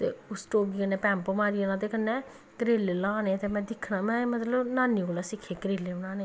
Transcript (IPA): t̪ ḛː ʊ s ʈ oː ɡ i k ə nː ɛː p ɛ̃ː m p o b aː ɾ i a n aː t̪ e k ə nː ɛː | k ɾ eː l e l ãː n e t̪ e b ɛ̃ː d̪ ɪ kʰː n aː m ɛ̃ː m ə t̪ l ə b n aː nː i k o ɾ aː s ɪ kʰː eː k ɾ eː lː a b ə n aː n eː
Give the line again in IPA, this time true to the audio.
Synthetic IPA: t̪ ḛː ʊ s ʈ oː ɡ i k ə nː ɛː p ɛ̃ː m p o m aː ɾ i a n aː t̪ e k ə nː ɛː | k ɾ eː l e l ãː n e t̪ e m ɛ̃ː d̪ ɪ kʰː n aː m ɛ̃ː m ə t̪ l ə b n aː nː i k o l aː s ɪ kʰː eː k ɾ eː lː e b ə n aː n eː